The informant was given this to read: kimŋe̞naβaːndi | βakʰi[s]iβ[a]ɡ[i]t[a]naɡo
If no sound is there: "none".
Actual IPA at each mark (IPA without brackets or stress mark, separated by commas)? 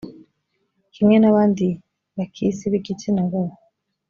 s, i, i, i